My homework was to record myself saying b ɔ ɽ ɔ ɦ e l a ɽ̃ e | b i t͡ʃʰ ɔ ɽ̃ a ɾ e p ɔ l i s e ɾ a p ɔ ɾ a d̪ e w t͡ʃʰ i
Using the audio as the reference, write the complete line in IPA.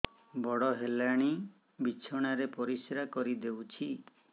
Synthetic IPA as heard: b ɔ ɽ ɔ ɦ e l a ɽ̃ i | b i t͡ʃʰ ɔ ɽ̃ a ɾ e p ɔ ɾ i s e ɾ a k ɔ ɾ i d̪ e w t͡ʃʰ i